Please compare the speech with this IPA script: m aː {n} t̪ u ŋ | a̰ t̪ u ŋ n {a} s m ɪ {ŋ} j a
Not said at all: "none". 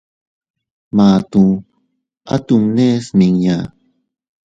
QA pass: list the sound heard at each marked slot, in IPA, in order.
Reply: none, e, ŋ

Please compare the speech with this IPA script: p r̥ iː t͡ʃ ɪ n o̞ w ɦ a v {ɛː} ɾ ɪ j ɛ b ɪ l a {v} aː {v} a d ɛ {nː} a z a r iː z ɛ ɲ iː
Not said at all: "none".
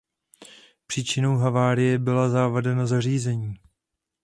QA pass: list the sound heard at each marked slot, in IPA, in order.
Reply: aː, z, v, n

